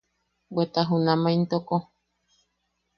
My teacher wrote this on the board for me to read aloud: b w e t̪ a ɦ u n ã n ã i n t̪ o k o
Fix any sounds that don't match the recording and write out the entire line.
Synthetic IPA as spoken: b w e t̪ a ɦ u n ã m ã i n t̪ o k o